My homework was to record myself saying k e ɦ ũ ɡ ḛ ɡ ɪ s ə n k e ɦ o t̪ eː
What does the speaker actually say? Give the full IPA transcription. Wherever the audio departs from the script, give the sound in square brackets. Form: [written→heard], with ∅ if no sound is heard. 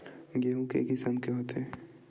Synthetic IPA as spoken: [k→ɡ] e ɦ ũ [ɡ→k] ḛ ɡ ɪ s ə [n→m] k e ɦ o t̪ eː